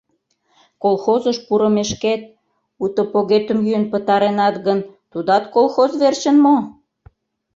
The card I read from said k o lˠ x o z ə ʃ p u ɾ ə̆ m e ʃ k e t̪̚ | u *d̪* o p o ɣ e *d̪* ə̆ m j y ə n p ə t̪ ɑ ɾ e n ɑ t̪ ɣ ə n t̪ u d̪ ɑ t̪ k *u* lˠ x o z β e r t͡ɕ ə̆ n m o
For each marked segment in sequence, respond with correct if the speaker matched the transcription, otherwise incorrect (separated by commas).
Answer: incorrect, incorrect, incorrect